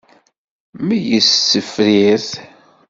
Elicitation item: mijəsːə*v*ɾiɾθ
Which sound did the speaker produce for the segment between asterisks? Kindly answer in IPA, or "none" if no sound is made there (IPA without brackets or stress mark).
f